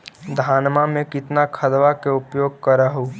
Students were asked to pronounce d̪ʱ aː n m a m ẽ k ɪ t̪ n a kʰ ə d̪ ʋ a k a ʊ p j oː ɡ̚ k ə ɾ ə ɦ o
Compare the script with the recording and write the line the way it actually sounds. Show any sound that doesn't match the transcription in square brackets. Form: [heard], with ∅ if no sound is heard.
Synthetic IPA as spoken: d̪ʱ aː n m a m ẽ k ɪ t̪ n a kʰ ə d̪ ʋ a k [e] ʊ p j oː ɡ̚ k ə ɾ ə ɦ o